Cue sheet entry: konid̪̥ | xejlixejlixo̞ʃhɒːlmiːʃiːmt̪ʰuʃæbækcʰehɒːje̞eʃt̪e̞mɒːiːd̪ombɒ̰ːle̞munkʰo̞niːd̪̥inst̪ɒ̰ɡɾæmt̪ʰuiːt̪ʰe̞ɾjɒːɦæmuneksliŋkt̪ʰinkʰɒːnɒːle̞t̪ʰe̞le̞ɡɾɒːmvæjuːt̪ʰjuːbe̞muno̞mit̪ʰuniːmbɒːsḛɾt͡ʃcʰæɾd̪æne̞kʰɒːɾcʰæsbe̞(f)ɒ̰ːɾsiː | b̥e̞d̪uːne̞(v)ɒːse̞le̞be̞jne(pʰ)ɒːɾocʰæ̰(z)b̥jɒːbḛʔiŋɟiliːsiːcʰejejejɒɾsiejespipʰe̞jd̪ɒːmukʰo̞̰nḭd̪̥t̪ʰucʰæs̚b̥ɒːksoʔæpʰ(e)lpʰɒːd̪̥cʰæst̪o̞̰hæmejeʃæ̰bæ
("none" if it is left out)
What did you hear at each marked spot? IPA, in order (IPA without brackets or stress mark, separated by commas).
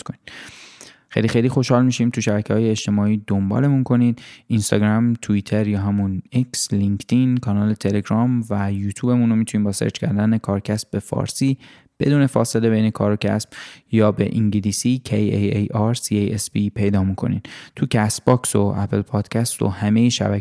f, f, kʰ, s, e